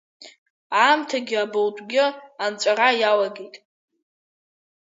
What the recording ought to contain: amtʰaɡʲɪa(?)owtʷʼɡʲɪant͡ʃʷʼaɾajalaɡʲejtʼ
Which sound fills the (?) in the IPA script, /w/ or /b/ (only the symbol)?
b